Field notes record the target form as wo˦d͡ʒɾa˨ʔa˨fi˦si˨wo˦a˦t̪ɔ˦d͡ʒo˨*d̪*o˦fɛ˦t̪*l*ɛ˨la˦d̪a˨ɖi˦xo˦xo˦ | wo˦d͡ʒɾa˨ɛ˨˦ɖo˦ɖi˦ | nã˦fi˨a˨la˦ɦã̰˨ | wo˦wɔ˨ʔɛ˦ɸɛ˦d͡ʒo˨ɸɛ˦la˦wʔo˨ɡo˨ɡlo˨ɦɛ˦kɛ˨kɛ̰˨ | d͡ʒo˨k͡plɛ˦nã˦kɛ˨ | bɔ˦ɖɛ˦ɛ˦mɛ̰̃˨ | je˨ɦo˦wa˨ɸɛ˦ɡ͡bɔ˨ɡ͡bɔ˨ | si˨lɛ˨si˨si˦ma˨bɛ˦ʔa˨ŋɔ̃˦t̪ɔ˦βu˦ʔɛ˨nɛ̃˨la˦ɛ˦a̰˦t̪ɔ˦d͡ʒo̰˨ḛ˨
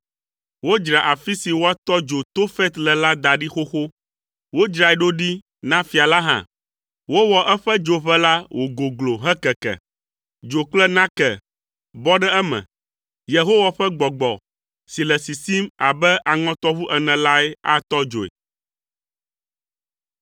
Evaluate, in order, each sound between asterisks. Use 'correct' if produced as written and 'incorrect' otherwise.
incorrect: t̪, correct

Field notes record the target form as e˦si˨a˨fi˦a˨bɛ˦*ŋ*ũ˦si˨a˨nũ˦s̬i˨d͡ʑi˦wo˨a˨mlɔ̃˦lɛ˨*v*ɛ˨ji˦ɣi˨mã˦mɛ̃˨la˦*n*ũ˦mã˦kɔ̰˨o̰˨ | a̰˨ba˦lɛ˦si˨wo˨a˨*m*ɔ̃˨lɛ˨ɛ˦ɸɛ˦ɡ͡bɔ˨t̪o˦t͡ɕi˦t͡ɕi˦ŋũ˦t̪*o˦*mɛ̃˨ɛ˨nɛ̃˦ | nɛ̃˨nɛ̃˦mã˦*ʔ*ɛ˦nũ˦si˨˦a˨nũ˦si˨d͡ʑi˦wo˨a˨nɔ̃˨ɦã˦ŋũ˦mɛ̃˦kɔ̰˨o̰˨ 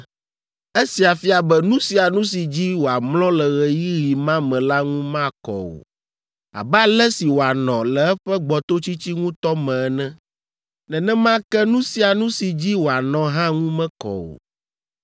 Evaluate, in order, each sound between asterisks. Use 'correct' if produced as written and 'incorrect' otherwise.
incorrect: n, incorrect: ɣ, incorrect: ŋ, incorrect: n, incorrect: ɔ˦, incorrect: k

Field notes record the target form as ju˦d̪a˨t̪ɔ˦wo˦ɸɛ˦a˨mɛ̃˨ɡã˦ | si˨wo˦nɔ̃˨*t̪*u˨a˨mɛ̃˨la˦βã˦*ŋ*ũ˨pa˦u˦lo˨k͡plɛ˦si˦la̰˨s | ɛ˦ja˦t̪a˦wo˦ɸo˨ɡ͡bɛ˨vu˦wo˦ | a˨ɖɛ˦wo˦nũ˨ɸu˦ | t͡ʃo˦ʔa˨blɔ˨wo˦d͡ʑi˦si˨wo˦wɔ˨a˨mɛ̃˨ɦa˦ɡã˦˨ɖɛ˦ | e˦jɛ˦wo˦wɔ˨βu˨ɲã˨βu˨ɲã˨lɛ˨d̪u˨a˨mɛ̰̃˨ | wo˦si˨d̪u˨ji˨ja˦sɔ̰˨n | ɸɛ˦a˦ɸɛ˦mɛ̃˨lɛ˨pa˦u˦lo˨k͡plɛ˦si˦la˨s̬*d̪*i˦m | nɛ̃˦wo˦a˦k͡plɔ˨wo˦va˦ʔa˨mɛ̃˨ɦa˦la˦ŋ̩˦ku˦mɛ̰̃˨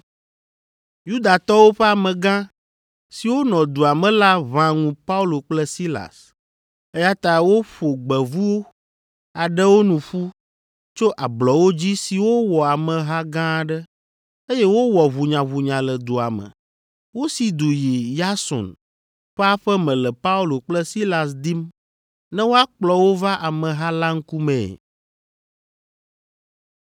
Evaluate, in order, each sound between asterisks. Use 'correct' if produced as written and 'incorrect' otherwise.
incorrect: d̪, correct, correct

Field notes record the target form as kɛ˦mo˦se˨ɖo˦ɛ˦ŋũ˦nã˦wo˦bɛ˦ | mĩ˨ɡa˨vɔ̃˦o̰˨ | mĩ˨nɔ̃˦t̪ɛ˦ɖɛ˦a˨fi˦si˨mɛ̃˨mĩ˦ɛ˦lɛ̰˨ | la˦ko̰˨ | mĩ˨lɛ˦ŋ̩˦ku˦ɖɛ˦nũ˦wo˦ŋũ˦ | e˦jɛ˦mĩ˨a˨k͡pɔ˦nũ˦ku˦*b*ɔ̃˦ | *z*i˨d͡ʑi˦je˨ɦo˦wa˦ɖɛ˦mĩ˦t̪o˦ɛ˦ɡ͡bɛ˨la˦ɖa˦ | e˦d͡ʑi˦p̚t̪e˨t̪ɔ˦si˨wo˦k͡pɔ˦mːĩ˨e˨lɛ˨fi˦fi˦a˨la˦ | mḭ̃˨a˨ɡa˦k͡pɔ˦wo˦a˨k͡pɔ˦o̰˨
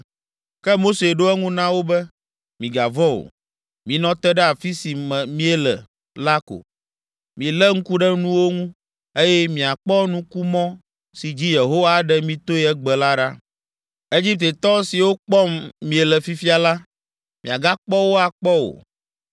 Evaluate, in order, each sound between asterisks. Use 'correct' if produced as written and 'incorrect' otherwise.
incorrect: m, incorrect: s

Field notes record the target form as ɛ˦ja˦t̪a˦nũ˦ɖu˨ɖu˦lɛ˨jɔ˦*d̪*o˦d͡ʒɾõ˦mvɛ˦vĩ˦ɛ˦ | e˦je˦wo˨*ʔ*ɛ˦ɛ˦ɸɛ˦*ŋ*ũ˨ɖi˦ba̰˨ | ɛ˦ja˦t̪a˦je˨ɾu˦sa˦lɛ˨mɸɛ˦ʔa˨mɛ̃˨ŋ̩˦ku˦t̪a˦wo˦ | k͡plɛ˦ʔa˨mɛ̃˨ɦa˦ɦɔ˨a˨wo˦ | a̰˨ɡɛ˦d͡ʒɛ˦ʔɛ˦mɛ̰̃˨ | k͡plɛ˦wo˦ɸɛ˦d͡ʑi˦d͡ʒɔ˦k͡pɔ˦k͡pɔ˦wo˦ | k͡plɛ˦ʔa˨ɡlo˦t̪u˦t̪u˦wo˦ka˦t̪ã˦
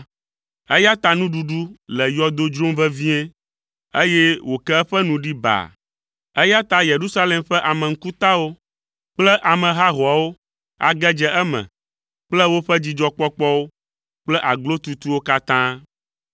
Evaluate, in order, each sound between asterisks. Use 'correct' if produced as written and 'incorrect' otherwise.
correct, incorrect: k, incorrect: n

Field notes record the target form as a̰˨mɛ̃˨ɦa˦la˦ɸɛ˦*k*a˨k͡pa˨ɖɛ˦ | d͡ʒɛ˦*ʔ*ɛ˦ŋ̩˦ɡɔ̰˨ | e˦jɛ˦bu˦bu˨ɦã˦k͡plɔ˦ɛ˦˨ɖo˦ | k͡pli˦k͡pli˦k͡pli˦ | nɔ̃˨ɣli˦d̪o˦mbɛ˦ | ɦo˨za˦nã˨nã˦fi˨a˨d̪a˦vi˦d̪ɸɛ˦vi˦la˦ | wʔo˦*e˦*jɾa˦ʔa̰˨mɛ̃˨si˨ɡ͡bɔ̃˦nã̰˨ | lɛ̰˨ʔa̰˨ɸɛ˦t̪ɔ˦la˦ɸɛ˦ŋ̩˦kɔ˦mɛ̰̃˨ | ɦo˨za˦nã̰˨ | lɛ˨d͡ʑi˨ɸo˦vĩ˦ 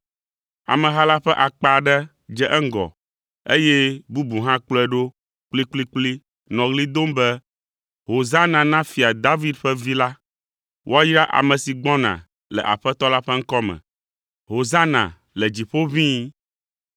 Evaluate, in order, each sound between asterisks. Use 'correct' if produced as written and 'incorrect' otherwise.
incorrect: ʔ, correct, incorrect: a˦

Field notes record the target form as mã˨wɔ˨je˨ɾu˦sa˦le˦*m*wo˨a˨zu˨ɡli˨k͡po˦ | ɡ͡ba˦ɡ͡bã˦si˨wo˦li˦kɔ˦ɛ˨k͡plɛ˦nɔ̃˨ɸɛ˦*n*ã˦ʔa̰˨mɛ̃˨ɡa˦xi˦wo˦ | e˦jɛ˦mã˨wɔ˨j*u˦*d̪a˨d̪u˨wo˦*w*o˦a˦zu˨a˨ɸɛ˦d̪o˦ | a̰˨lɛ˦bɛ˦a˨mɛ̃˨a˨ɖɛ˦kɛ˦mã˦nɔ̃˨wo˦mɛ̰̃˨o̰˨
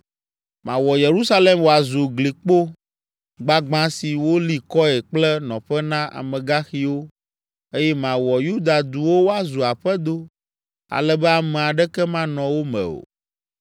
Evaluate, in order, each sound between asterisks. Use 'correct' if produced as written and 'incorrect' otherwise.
correct, correct, correct, correct

